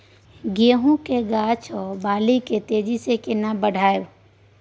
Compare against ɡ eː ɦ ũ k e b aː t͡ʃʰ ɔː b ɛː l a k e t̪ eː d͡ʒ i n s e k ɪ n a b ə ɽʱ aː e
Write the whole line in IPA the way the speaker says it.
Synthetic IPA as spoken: ɡ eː ɦ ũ k e ɡ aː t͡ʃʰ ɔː b aː l i k e t̪ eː d͡ʒ i s e k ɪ n a b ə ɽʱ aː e